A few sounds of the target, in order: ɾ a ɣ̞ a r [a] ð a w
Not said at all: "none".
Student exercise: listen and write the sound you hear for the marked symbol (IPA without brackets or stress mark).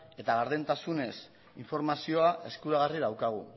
i